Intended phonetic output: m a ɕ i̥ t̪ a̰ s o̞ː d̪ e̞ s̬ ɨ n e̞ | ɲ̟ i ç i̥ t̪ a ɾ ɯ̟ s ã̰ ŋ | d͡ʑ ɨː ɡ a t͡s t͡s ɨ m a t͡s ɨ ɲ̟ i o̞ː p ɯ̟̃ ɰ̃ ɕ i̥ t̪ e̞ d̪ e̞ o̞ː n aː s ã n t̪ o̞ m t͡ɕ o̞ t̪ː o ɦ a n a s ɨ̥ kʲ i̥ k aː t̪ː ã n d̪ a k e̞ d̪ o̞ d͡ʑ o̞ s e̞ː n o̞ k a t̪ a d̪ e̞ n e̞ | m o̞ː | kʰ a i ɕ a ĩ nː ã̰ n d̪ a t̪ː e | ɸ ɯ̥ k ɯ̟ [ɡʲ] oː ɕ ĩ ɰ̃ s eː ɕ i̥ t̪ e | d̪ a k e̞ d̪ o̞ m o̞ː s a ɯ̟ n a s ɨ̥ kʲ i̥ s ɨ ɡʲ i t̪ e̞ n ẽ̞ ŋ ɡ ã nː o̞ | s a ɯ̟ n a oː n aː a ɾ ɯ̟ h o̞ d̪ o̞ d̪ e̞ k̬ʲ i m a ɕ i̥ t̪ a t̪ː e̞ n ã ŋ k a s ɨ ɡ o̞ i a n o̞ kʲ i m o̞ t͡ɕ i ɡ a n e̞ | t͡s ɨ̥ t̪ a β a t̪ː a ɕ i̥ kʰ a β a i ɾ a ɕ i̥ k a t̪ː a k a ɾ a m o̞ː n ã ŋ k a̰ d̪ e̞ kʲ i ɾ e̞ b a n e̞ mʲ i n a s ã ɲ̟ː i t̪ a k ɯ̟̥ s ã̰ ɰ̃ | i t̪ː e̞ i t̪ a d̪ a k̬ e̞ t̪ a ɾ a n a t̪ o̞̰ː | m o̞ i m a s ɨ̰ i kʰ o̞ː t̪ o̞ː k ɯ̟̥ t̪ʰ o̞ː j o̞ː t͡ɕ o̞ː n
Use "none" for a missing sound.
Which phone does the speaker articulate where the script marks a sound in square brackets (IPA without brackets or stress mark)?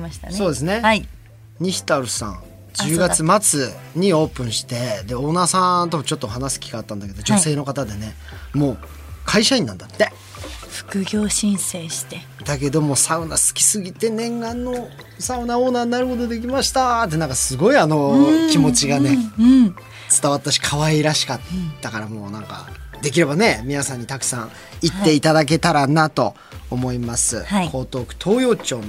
ɡʲ